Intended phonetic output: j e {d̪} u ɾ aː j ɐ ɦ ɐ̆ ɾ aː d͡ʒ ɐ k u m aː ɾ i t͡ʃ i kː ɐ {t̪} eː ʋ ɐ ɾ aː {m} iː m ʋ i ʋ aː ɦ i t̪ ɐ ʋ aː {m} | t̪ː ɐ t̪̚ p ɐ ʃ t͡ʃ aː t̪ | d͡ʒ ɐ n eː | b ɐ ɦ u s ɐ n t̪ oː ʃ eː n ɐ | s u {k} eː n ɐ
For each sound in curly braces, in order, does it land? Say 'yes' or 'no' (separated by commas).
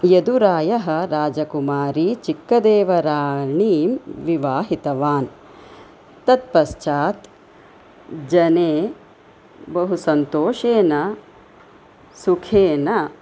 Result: yes, no, no, no, no